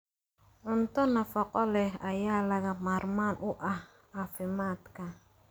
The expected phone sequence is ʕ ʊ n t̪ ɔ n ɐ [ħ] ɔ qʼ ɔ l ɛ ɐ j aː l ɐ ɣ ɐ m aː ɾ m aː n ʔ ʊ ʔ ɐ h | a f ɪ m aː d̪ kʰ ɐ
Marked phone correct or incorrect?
incorrect: f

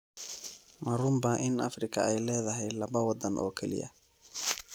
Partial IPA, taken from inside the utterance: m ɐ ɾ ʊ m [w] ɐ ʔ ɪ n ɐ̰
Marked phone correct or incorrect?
incorrect: b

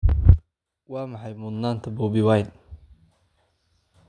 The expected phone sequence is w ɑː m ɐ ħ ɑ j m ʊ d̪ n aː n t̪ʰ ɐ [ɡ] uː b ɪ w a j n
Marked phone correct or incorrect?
incorrect: b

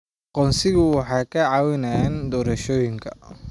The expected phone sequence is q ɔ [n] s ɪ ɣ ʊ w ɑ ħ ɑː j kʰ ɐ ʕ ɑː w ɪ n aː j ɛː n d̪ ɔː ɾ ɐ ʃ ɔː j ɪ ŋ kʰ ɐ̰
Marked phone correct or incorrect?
correct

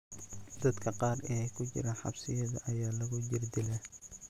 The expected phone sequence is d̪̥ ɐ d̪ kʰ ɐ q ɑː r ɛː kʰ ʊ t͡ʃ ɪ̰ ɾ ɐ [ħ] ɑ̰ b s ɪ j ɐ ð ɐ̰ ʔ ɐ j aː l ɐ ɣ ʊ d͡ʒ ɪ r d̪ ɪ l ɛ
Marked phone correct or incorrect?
correct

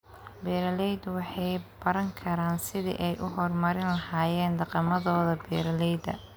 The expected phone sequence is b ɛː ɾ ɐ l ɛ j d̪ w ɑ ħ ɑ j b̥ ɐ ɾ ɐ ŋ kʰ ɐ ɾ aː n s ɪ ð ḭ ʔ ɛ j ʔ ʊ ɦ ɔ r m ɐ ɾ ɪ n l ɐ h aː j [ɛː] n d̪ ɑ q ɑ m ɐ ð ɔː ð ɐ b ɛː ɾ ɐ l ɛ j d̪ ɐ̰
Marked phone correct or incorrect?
correct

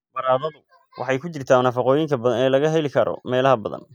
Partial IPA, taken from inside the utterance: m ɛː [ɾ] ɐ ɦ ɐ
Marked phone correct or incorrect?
incorrect: l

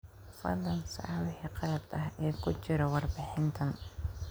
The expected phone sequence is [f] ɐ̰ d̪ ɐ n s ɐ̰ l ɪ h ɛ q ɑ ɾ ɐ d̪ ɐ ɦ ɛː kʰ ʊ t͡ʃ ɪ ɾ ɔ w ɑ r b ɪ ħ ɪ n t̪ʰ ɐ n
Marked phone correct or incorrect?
correct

